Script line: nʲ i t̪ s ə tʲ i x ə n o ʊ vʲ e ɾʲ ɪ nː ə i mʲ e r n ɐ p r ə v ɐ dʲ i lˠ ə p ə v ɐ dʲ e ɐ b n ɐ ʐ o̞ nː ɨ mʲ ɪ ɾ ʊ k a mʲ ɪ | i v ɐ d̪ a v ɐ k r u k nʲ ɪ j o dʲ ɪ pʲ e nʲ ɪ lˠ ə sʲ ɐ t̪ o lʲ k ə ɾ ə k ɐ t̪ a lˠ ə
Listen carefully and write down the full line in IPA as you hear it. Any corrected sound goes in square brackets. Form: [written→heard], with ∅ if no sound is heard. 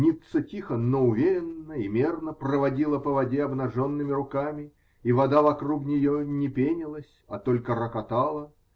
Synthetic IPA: nʲ i t̪ s ə tʲ i x ə n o ʊ vʲ e ɾʲ ɪ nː ə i mʲ e r n [ɐ→ə] p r ə v ɐ dʲ i lˠ ə p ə v ɐ dʲ e ɐ b n ɐ ʐ o̞ nː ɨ mʲ ɪ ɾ ʊ k a mʲ ɪ | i v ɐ d̪ a v ɐ k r u k nʲ ɪ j o [dʲ→nʲ] ɪ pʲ e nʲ ɪ lˠ ə sʲ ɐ t̪ o lʲ k ə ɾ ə k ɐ t̪ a lˠ ə